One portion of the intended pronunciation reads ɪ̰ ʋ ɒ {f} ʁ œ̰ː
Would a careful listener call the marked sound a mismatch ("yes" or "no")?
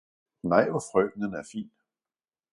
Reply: no